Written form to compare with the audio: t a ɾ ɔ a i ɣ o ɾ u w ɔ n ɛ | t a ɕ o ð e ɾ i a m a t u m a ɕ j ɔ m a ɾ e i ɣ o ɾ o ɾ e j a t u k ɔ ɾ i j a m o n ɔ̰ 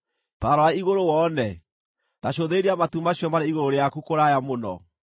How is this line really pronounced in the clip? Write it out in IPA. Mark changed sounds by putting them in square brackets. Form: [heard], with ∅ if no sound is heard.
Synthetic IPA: t a ɾ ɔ a i ɣ o ɾ [o] w ɔ n ɛ | t a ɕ o ð e ɾ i a m a t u m a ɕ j ɔ m a ɾ e i ɣ o ɾ o ɾ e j a [k] u k [o] ɾ [a] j a m o n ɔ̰

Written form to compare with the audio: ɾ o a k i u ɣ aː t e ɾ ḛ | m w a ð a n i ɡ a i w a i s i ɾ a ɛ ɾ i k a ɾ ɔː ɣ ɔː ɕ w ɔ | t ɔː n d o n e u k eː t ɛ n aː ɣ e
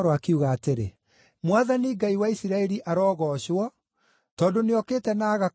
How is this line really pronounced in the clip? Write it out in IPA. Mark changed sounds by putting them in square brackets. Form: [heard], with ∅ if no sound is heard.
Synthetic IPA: ɾ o a k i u ɣ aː t e ɾ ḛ | m w a ð a n i ɡ a i w a i s i ɾ a ɛ ɾ i [ʔ] a ɾ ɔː ɣ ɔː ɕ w ɔ | t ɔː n d o n e [ɔ] k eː t ɛ n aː ɣ [a]

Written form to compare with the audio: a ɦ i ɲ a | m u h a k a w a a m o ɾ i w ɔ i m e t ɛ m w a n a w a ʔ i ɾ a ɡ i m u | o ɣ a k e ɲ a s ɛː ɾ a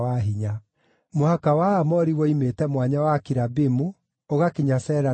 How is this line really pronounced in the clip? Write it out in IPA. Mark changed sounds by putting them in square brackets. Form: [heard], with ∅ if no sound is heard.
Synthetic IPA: a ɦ i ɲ a | m [o] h a k a w a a m [ɔ] ɾ i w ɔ i m e t ɛ m w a [ɲ] a w a [k] i ɾ a [b] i m u | o ɣ a k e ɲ a s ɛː ɾ a

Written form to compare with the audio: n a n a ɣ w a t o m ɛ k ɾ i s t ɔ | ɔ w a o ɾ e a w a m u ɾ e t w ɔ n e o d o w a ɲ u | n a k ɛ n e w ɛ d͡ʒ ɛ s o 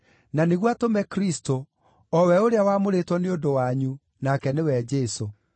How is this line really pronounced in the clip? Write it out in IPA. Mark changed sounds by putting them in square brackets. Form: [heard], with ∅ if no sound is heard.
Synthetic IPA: n a n [e] ɣ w a t o m ɛ k ɾ i s t [o] | ɔ w [ɛ] o ɾ e a w a m [o] ɾ e t w ɔ n e o d o w a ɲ u | n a k ɛ n e w ɛ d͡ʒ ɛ s o

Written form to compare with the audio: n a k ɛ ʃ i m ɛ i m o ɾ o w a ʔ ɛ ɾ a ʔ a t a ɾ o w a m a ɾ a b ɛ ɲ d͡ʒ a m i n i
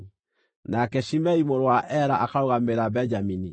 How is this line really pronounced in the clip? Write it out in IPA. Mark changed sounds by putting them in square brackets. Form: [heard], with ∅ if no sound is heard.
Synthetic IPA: n a k ɛ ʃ i m ɛ i m o ɾ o w a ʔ ɛ ɾ a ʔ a [k] a ɾ o [ɣ] a m [e] ɾ a b ɛ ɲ d͡ʒ a m i n i

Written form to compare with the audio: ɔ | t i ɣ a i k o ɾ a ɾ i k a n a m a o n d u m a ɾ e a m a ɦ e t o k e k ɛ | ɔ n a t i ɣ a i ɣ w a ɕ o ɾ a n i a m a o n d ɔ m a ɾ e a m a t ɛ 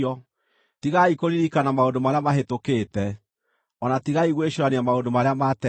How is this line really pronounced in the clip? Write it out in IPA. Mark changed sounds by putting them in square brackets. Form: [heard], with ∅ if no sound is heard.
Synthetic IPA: ɔ | t i ɣ a i k o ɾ [i] ɾ i k a n a m a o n d [o] m a ɾ e a m a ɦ e t o k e [t] ɛ | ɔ n a t i ɣ a i ɣ w [e] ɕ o ɾ a n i a m a o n d [o] m a ɾ e a m a t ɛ

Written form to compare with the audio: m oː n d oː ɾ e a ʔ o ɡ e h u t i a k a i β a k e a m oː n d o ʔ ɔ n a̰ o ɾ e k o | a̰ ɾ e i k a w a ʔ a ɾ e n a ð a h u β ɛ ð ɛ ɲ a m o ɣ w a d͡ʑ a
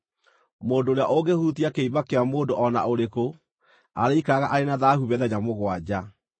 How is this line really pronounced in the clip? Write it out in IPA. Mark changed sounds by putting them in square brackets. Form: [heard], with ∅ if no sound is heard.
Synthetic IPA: m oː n d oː ɾ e a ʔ o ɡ e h u t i a k [e] i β a k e a m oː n d o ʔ ɔ n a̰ o ɾ e k o | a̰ ɾ e i k a [ɣ] a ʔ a ɾ e n a ð a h u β ɛ ð ɛ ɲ a m o ɣ w a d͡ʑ a

